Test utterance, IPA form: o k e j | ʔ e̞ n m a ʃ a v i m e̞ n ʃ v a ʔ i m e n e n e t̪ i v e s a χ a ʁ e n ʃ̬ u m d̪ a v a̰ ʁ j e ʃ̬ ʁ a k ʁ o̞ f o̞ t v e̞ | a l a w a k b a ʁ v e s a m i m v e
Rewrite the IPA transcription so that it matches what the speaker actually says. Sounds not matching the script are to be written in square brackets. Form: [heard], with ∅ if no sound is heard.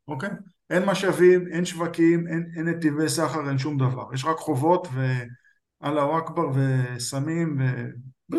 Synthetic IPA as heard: o k e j | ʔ e̞ n m a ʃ a v i m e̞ n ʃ v a [k] i m e n e n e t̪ i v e s a χ a ʁ e n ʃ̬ u m d̪ a v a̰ ʁ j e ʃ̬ ʁ a k [χ] o̞ [v] o̞ t v e̞ | a l a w a k b a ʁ v e s a m i m v e